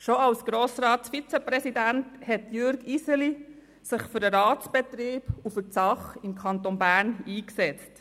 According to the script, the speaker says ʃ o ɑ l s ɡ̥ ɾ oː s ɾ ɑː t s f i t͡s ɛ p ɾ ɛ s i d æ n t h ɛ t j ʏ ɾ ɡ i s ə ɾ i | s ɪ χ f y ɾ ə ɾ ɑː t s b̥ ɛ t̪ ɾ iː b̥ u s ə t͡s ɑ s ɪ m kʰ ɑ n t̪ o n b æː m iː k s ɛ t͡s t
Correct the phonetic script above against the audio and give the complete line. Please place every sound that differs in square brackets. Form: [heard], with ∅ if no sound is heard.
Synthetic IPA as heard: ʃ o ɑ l s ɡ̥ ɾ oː s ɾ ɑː t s f i t͡s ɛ p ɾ ɛ s i d æ n t h ɛ t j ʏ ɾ ɡ i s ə [l] i | s ɪ χ f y ɾ ə ɾ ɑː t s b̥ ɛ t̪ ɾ iː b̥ u [f] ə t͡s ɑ [χ] ɪ m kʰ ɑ n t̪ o n b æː [n] iː k s ɛ t͡s t